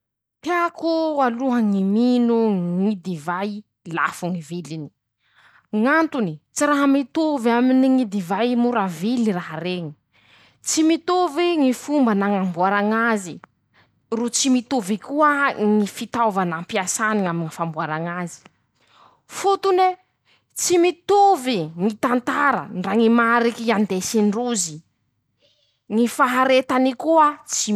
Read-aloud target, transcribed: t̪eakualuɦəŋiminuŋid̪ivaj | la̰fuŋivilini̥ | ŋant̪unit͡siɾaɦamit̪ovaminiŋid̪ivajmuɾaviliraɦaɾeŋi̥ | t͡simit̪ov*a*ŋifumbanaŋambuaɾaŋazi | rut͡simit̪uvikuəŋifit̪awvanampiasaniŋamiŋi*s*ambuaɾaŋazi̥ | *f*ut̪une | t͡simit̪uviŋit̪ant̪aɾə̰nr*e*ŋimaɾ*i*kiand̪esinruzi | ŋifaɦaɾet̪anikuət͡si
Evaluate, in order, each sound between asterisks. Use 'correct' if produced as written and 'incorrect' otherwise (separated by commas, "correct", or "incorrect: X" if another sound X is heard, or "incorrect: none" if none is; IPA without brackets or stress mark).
incorrect: i, incorrect: f, correct, incorrect: a, correct